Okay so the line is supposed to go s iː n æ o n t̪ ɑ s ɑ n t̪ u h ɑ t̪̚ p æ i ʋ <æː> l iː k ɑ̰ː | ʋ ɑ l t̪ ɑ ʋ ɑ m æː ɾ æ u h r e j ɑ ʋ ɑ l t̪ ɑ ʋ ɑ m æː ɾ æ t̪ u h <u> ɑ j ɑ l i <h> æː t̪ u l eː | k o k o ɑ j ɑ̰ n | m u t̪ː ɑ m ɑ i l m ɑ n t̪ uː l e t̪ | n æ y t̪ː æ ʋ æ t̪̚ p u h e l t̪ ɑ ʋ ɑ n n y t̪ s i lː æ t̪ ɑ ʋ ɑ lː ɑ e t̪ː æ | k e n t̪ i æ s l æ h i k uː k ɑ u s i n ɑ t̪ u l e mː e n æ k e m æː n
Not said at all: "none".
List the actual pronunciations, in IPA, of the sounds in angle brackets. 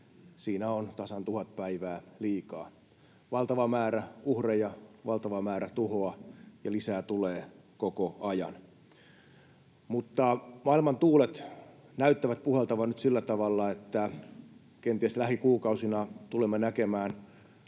æː, o, s

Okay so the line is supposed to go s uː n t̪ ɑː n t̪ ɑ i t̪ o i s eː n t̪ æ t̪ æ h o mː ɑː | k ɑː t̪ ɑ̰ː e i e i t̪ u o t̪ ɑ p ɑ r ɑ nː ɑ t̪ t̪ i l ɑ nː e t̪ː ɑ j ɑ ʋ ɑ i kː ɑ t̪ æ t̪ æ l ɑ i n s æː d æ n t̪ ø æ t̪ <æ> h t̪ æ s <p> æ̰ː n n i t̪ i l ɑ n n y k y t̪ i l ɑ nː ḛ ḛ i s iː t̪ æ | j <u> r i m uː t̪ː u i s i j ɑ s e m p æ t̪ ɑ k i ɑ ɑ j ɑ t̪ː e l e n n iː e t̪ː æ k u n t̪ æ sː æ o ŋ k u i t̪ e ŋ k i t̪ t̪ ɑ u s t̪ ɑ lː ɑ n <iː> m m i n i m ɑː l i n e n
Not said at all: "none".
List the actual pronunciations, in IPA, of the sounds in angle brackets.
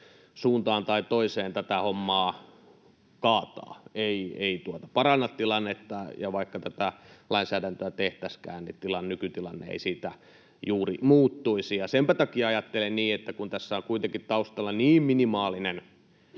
e, k, uː, iː

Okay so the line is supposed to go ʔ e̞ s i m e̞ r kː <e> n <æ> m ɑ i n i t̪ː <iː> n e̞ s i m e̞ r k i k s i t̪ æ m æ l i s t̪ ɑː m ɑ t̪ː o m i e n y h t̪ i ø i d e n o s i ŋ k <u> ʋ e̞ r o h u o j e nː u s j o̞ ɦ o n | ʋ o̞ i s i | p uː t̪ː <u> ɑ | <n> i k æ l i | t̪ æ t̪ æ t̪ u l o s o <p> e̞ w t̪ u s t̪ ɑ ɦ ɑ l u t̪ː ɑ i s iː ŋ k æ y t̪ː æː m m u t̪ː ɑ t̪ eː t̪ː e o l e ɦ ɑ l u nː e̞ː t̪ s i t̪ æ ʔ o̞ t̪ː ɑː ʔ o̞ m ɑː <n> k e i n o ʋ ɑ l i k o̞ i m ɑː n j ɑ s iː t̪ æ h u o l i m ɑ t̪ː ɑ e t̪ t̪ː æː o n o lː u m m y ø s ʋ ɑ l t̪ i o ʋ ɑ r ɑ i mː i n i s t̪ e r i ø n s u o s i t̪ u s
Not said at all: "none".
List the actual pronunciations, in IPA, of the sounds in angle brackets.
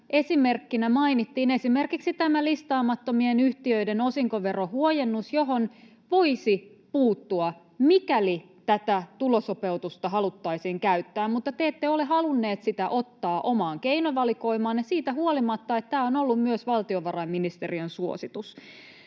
i, æ, iː, o, u, m, p, ŋ

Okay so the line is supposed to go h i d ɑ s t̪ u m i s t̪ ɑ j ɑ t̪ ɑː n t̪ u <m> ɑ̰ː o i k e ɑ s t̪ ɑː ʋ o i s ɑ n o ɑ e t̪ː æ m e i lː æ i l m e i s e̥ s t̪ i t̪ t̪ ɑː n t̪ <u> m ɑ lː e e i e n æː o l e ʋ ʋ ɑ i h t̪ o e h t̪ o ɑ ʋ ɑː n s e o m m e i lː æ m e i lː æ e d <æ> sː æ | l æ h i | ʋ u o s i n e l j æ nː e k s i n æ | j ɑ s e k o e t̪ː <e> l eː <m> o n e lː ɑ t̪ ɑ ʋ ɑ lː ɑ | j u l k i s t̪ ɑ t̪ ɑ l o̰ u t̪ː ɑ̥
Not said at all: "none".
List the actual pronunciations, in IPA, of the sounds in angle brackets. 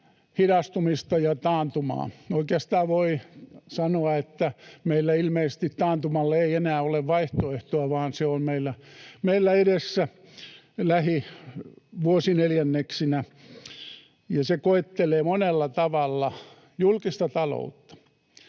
m, u, e, e, m

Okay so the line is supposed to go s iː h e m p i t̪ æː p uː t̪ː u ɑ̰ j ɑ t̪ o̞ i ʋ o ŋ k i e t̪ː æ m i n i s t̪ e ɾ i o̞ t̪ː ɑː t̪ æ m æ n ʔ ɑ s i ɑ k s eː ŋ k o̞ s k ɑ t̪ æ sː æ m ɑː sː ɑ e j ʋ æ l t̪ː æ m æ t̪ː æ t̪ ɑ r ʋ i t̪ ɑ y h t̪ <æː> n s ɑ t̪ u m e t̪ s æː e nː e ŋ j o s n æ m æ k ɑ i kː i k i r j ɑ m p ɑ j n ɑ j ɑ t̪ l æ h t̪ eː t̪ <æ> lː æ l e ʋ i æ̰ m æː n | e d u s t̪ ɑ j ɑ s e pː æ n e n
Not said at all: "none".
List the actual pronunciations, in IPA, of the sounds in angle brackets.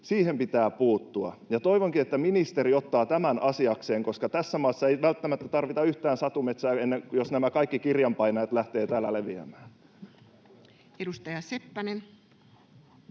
æː, æː

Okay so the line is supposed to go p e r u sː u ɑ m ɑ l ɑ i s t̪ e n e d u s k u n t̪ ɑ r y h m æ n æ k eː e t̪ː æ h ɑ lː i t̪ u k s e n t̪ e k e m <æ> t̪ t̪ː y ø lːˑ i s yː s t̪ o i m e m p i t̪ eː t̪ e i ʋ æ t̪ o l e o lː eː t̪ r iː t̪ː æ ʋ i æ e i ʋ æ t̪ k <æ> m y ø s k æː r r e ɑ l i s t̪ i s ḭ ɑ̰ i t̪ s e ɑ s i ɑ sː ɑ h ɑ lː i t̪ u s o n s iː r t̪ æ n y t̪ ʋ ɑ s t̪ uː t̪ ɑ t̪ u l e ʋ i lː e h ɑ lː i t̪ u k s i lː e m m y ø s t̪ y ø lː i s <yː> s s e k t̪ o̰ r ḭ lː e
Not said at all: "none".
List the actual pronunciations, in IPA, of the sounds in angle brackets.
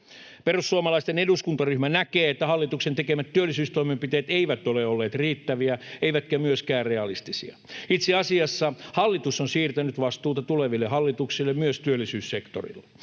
æ, æ, yː

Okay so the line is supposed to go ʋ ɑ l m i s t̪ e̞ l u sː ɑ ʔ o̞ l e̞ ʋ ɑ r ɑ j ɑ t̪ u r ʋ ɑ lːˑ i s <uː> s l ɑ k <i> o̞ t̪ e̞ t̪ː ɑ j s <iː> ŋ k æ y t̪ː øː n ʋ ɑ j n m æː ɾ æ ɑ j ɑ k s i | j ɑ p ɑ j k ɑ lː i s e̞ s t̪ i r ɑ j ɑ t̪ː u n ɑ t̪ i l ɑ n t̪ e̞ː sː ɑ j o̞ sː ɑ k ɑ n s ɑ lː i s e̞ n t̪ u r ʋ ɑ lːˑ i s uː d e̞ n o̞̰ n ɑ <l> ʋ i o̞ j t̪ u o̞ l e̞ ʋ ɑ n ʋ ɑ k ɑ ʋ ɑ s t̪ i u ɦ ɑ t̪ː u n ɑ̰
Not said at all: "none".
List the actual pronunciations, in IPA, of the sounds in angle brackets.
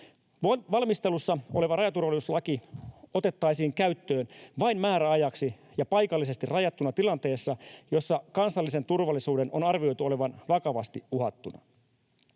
u, i, iː, r

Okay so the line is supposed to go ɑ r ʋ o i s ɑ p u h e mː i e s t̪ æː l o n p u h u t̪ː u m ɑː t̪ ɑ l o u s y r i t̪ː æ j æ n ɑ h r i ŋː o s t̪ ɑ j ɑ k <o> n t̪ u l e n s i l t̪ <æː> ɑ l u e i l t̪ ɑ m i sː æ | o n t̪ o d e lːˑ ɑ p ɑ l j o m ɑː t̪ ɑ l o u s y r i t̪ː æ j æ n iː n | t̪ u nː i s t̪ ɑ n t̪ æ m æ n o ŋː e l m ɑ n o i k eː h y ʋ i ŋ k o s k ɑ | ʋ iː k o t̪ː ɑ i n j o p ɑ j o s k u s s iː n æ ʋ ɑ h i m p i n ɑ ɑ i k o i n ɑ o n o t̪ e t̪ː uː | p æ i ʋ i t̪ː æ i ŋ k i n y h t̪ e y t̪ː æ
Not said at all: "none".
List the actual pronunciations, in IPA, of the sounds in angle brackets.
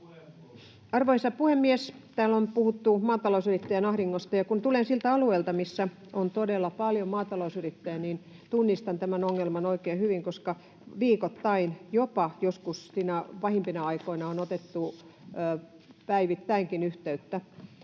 u, æ

